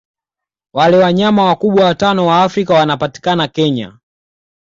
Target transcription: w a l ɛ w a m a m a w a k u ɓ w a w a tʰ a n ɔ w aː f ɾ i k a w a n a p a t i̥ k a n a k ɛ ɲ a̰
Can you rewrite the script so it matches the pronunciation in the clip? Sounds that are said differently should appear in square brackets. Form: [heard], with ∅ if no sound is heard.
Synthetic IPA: w a l ɛ w a [ɲ] a m a w a k u ɓ w a w a [t] a n ɔ w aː f ɾ i k a w a n a p a t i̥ k a n a k ɛ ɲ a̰